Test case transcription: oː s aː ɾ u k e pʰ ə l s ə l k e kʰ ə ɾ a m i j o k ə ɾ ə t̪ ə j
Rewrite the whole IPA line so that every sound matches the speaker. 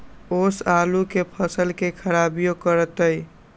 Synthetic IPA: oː s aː l u k e pʰ ə s ə l k e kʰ ə ɾ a b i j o k ə ɾ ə t̪ ə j